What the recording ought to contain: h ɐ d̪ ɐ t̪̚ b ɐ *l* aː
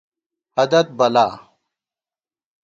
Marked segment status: correct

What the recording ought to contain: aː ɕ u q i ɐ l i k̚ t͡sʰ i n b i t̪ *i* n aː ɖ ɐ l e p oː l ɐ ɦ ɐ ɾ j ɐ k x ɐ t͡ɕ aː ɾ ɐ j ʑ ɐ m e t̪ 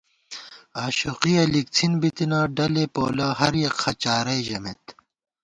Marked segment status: correct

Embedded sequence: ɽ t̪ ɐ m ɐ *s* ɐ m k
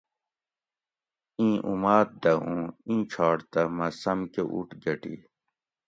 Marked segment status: correct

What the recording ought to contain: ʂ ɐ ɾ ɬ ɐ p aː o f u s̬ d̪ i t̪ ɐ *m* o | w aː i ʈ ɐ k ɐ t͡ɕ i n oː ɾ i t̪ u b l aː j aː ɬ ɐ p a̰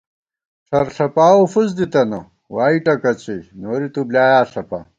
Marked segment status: incorrect: n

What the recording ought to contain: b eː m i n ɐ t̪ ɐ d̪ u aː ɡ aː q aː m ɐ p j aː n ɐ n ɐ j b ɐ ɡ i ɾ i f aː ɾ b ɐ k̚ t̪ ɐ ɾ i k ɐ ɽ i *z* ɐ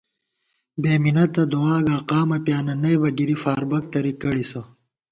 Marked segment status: incorrect: s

